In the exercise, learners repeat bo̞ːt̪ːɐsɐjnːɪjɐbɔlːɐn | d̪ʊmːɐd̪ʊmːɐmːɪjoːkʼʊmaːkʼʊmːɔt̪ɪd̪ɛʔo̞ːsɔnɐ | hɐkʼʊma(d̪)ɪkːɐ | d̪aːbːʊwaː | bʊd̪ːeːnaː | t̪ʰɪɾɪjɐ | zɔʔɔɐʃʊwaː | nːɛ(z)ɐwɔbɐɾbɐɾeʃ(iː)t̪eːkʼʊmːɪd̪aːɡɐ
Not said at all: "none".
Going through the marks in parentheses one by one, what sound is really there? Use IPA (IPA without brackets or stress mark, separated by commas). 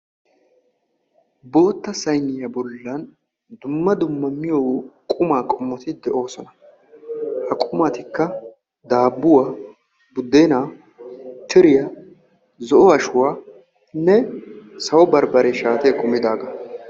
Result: t̪, s, aː